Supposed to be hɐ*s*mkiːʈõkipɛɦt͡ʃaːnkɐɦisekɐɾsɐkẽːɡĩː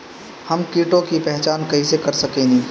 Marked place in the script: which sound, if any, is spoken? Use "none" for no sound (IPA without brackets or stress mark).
none